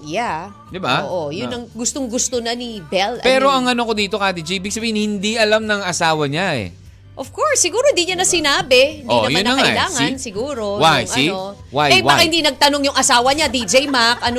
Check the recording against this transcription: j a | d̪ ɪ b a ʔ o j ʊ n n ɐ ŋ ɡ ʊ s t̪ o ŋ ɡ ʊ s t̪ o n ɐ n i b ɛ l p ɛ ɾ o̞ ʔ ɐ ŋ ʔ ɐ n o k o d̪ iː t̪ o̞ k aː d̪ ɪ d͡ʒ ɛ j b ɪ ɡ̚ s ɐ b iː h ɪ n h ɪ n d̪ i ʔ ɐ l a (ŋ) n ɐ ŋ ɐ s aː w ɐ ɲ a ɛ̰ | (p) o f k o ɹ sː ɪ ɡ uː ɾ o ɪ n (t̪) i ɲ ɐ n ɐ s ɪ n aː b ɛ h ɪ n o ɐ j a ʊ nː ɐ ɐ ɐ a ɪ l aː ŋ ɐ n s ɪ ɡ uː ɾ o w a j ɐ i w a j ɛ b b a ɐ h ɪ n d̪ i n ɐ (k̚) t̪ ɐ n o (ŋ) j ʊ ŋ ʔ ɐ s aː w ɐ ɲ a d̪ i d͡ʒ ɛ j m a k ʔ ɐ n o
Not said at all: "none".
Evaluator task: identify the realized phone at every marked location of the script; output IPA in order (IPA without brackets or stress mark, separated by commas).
m, ʔ, d̪, ɡ̚, ŋ